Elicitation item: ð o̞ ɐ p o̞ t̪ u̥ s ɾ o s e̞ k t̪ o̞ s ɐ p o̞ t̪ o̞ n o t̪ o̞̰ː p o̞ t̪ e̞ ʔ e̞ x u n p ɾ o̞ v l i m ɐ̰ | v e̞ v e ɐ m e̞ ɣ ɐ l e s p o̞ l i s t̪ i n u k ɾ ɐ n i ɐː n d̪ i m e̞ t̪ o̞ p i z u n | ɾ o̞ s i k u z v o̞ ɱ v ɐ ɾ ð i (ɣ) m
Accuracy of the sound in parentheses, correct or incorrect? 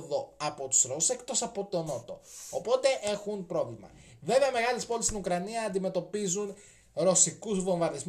incorrect